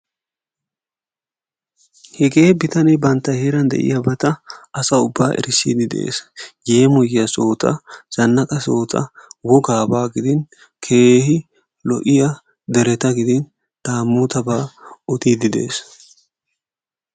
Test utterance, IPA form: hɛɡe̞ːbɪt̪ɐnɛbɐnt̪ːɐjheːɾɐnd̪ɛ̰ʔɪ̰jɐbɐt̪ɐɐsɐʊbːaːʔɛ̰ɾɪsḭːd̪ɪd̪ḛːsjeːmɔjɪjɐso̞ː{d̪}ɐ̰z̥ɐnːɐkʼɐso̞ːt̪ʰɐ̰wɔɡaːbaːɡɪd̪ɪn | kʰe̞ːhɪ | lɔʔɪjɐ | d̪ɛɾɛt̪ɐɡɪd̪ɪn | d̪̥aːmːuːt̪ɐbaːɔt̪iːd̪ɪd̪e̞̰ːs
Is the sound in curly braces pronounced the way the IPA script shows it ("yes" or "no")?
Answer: no